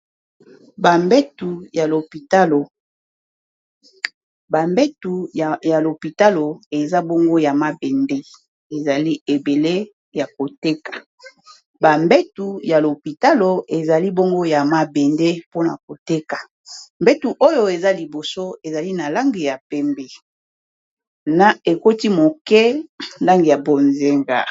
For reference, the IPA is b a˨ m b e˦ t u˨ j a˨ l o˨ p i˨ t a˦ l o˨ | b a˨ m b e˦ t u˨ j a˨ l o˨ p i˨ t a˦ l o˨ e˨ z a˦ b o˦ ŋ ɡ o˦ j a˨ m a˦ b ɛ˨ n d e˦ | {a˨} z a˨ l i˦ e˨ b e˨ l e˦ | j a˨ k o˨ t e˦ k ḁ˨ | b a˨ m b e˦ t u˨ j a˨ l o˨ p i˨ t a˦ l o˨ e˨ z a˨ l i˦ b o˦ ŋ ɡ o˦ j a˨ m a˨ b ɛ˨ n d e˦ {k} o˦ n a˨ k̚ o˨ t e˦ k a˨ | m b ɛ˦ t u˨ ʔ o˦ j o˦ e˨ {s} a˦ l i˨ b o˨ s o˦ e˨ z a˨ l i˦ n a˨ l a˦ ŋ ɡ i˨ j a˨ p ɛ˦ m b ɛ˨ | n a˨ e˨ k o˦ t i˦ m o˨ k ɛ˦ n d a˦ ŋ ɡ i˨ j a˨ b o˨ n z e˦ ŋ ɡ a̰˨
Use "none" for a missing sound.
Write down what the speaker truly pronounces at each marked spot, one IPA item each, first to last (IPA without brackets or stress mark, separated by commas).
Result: e˨, p, z